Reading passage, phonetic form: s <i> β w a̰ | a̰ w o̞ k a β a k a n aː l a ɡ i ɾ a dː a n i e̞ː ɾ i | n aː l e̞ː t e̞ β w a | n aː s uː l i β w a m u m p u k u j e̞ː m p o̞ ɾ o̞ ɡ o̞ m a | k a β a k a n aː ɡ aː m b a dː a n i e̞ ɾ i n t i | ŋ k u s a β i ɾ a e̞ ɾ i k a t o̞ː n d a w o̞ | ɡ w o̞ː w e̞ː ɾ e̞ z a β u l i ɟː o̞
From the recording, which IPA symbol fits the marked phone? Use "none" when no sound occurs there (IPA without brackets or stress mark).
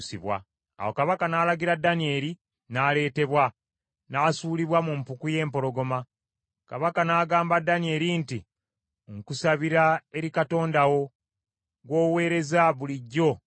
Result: i